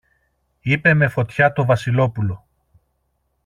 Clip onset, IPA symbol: i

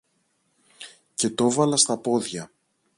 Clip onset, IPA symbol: c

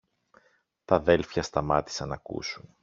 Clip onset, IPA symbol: t̪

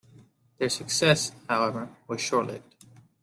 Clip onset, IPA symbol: ð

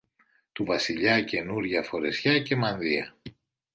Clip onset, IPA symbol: t̪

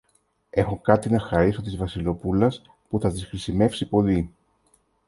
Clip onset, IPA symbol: e̞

